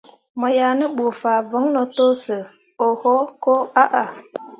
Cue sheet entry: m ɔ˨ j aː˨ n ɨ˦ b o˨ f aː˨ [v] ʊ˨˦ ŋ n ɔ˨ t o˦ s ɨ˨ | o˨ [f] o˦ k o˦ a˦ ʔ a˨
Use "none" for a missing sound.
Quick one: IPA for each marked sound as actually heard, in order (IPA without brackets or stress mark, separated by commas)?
v, h